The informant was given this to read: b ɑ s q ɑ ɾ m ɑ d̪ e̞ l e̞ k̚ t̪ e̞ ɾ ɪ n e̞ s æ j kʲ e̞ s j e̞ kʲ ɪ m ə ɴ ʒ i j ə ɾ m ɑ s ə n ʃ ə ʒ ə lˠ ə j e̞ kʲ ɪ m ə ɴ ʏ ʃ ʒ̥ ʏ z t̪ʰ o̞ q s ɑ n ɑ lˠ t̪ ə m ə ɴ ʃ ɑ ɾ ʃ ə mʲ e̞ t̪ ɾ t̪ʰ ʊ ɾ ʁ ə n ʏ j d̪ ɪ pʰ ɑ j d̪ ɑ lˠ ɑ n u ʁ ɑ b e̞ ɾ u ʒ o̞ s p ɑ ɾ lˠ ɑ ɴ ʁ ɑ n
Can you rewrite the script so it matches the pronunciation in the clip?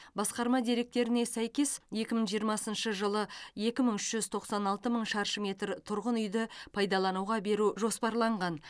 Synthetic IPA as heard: b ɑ s q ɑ ɾ m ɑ d̪ e̞ ɾ e̞ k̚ t̪ e̞ ɾ ɪ n e̞ s æ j kʲ e̞ s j e̞ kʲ ɪ m ə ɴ ʒ i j ə ɾ m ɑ s ə n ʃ ə ʒ ə lˠ ə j e̞ kʲ ɪ m ə ɴ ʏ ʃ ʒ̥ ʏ z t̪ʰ o̞ q s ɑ n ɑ lˠ t̪ ə m ə ɴ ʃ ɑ ɾ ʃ ə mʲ e̞ t̪ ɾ t̪ʰ ʊ ɾ ʁ ə n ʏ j d̪ ɪ pʰ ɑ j d̪ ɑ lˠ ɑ n u ʁ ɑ b e̞ ɾ u ʒ o̞ s p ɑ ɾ lˠ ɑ ɴ ʁ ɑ n